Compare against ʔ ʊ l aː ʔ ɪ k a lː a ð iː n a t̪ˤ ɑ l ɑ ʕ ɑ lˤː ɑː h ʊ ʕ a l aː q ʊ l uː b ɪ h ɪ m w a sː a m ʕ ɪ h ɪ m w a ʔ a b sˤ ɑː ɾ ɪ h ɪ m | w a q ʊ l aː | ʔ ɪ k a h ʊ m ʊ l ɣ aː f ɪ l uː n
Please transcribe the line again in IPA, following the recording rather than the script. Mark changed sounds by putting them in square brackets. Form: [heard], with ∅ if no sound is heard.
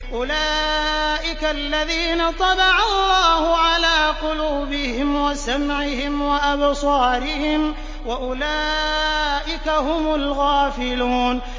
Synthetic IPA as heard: ʔ ʊ l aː ʔ ɪ k a lː a ð iː n a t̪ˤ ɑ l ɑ ʕ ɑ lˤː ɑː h ʊ ʕ a l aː q ʊ l uː b ɪ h ɪ m w a [s] a m ʕ ɪ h ɪ m w a ʔ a b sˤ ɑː ɾ ɪ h ɪ m | w a [ʔ] ʊ l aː | ʔ ɪ k a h ʊ m ʊ l ɣ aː f ɪ l uː n